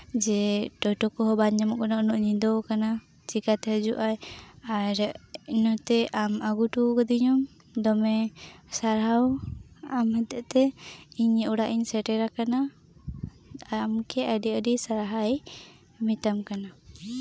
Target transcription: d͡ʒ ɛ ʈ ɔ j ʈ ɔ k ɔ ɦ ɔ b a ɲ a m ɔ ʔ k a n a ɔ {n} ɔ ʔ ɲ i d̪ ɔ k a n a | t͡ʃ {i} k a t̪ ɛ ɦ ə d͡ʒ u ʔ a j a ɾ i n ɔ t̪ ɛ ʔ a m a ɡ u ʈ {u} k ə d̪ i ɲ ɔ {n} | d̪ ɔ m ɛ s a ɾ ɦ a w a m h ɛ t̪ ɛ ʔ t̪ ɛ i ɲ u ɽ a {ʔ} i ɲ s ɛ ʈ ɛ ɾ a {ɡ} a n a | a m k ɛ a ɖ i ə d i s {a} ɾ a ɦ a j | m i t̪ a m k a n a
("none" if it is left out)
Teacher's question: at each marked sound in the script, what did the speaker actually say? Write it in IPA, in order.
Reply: n, i, u, m, ʔ, k, a

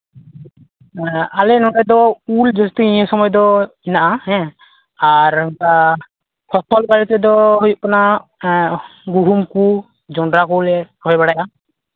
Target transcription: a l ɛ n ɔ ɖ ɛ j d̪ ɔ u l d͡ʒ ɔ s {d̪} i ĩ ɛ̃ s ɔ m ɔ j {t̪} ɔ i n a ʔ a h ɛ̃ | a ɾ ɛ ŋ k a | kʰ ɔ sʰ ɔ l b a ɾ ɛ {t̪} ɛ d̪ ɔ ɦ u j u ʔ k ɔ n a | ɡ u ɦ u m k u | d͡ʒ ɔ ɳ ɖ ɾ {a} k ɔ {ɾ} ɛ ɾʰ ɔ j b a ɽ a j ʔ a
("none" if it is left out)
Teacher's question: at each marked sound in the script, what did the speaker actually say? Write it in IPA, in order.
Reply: t̪, d̪, t̪, a, l

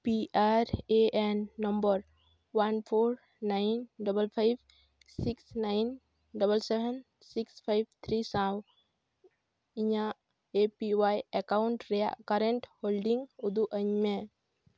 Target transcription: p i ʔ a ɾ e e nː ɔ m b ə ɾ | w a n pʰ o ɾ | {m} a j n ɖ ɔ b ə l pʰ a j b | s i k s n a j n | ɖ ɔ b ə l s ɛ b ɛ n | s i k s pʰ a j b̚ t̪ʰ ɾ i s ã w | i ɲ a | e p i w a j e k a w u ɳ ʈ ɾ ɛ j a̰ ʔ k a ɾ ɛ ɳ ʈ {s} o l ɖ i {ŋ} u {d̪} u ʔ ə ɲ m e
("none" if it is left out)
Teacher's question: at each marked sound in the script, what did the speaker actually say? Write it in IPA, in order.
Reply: n, h, ŋ, d̪

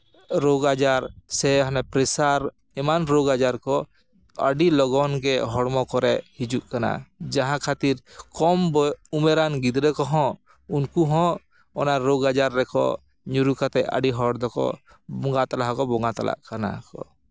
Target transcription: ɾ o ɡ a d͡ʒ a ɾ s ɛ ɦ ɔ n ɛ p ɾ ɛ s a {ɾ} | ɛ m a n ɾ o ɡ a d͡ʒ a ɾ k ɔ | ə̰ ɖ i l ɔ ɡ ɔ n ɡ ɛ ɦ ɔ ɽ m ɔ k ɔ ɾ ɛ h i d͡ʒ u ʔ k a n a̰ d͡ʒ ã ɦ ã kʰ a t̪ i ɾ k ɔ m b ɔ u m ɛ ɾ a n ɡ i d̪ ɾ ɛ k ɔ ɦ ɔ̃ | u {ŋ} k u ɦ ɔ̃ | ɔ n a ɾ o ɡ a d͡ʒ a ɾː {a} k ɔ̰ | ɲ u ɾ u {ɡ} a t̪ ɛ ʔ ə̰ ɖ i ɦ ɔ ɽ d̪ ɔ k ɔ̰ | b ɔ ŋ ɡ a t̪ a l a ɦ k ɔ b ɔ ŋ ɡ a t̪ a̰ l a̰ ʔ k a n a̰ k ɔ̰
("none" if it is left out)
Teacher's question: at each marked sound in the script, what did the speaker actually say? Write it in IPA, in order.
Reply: ɾ, n, ɛ, k

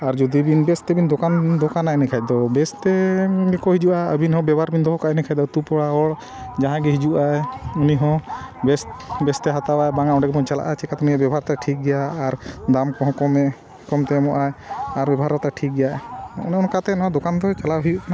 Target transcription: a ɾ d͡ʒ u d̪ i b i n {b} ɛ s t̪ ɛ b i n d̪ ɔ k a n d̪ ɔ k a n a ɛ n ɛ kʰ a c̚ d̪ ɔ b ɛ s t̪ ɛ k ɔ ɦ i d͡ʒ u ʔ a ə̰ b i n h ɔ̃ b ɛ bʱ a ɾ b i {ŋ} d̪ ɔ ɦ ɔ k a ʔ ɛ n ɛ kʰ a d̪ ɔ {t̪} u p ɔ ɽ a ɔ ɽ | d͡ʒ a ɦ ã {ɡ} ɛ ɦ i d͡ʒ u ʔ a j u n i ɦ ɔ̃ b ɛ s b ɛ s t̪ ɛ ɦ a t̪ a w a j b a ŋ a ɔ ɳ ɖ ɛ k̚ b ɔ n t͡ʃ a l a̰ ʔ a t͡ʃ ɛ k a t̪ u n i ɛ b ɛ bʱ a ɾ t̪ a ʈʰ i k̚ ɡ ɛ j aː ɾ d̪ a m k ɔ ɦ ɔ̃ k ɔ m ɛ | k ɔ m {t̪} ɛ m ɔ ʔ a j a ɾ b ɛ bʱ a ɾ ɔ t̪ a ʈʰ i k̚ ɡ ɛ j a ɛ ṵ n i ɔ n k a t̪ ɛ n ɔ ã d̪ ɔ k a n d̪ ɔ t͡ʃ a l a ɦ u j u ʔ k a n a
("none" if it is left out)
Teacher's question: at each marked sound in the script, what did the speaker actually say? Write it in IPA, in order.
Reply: b, n, t̪, ɡ, t̪

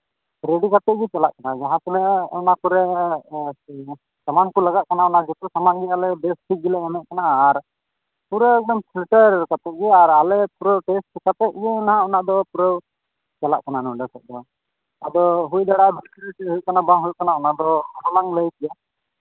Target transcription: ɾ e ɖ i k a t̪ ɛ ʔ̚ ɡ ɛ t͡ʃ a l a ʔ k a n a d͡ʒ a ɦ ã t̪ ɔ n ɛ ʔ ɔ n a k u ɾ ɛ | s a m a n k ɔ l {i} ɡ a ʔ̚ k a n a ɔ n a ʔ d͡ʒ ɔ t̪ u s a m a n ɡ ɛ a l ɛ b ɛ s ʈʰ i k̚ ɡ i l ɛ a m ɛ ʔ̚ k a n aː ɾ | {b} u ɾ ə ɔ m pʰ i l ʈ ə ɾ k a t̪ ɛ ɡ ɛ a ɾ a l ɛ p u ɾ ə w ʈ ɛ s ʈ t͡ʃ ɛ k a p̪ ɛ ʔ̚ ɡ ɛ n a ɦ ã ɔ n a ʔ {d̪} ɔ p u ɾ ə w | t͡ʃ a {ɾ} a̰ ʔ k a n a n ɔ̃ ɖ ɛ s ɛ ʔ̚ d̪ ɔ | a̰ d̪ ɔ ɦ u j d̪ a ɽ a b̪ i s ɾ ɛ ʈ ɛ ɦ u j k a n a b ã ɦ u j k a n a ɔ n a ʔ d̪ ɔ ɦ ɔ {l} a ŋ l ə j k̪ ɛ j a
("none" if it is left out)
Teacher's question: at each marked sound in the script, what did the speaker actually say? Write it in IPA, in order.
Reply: a, p, d̪, l, l

